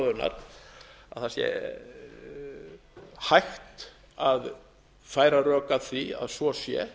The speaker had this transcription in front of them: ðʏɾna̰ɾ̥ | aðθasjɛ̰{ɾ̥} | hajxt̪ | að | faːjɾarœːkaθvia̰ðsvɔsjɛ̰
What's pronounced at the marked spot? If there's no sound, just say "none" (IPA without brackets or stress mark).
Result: none